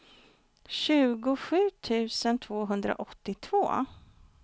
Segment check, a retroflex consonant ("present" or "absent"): absent